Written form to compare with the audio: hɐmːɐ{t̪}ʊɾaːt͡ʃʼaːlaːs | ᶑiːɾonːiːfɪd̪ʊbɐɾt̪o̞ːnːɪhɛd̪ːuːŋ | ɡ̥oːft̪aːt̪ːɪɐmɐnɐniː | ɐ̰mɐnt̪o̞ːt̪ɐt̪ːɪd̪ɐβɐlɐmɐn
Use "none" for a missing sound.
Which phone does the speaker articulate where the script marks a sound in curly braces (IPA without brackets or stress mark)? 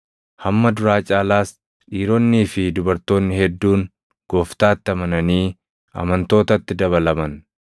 d̪